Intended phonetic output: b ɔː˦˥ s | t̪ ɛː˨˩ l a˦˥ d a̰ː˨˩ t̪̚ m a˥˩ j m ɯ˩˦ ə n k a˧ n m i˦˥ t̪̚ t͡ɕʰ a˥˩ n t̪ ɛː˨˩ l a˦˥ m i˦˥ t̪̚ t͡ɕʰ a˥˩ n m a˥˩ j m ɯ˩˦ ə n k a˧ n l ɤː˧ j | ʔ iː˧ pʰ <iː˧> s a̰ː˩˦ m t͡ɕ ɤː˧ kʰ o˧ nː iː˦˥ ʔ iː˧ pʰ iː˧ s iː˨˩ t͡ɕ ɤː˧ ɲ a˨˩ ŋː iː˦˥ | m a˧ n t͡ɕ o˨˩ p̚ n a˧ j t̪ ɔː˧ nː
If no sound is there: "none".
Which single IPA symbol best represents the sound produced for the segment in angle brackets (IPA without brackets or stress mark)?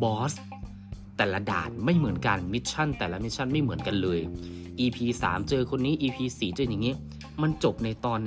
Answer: iː˧